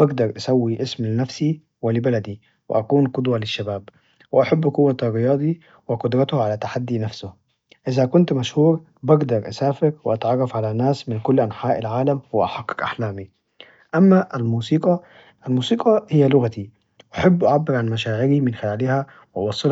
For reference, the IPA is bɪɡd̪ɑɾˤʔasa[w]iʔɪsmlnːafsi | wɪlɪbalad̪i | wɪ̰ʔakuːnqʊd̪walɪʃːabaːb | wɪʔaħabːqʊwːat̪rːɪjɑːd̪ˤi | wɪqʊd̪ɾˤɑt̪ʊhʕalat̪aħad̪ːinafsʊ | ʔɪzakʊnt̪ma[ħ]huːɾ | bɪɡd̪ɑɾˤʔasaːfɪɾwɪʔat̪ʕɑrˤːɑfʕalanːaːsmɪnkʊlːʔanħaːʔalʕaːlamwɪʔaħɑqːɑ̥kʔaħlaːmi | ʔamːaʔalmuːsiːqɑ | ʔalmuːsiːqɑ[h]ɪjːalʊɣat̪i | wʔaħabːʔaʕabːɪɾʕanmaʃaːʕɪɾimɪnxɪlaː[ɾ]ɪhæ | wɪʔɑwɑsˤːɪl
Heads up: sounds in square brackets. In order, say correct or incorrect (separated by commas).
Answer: incorrect, incorrect, correct, incorrect